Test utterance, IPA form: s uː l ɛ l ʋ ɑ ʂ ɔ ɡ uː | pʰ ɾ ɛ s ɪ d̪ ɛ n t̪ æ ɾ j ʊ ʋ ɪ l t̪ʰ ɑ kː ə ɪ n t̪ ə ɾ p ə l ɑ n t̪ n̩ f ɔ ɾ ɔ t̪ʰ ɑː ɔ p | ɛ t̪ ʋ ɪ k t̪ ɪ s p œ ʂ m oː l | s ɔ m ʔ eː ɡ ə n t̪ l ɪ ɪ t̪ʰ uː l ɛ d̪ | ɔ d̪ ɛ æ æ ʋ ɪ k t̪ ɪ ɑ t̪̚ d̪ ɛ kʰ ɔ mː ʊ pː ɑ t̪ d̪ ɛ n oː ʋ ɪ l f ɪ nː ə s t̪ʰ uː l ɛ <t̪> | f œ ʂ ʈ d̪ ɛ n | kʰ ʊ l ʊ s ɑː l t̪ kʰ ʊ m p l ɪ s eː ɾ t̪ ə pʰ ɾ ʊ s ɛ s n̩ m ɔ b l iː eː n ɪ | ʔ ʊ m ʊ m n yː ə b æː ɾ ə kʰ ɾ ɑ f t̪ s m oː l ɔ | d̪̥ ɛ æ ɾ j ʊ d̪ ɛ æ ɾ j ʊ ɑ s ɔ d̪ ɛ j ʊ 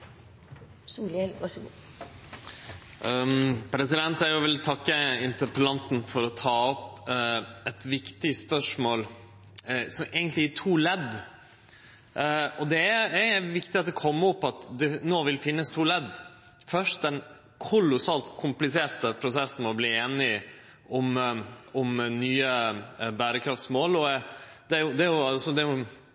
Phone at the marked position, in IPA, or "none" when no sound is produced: d̪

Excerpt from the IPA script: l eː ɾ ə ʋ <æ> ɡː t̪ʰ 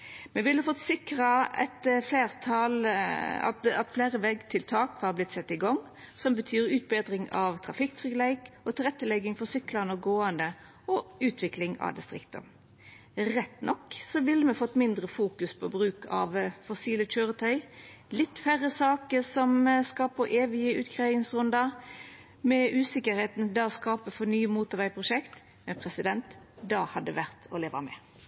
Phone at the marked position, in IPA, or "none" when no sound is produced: ɛ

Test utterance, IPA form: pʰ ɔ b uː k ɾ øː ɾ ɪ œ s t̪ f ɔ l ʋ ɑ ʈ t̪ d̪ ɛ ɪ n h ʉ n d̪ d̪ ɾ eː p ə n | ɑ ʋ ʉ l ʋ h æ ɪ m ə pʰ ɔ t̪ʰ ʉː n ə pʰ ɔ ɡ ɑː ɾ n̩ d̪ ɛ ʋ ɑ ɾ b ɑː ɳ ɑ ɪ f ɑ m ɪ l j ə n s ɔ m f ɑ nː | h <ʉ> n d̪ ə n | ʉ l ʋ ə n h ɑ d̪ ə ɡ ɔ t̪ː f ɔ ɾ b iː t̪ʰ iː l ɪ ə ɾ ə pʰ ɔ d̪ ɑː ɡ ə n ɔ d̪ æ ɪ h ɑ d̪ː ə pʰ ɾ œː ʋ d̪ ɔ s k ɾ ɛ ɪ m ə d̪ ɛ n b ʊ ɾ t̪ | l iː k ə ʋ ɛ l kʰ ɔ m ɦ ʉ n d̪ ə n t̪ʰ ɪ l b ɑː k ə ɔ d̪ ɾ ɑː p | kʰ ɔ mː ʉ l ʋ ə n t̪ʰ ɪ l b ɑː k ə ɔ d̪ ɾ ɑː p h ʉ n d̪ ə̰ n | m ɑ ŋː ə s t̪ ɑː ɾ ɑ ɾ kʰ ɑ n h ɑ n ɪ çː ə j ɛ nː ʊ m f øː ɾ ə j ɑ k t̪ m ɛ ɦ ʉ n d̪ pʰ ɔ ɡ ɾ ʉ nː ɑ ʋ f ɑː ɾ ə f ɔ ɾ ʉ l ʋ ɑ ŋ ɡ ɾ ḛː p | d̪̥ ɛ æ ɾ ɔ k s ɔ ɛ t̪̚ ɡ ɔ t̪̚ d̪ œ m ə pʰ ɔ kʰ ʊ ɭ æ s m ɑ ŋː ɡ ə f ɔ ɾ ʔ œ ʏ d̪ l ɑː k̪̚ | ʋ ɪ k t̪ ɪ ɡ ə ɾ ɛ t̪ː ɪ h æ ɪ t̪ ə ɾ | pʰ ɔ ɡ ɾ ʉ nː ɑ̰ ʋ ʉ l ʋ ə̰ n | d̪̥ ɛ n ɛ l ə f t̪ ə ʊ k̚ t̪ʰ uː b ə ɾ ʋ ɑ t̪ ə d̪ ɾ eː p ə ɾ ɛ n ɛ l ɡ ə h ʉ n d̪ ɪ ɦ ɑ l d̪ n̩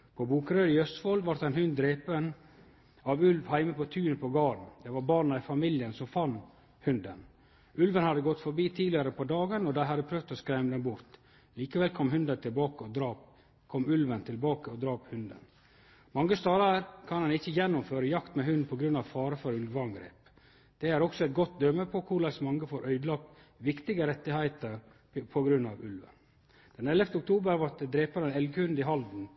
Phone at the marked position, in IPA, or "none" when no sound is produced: ʉ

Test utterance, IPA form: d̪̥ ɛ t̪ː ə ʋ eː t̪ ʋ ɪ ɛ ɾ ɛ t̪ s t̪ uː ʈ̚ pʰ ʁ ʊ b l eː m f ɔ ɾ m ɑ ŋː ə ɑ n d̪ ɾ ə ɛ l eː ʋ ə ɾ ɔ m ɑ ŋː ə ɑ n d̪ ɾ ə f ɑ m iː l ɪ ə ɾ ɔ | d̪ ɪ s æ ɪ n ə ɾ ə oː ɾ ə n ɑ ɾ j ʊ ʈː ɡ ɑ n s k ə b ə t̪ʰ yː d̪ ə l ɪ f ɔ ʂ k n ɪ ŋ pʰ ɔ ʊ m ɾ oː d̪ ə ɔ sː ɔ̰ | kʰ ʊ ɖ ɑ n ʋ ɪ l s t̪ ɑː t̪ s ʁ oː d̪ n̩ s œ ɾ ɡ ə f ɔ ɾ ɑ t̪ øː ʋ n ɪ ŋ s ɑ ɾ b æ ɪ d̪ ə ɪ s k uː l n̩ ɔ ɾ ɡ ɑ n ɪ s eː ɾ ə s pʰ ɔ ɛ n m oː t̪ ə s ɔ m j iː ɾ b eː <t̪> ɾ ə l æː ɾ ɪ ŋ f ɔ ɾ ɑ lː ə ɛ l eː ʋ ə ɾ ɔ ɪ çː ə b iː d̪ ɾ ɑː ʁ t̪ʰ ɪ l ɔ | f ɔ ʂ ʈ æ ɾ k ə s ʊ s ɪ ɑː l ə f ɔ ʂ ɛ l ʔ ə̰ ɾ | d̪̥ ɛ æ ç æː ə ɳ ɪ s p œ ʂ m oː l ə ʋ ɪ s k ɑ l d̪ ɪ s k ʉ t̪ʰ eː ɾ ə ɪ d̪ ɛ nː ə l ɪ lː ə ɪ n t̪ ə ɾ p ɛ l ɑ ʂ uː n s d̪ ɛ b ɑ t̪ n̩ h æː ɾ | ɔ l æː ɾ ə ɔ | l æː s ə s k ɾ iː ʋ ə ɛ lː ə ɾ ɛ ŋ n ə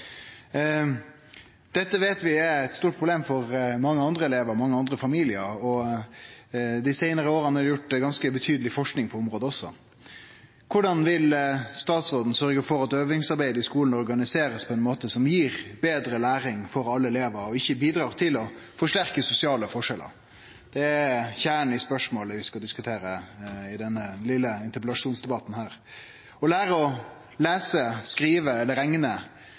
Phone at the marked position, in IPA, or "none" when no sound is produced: d̪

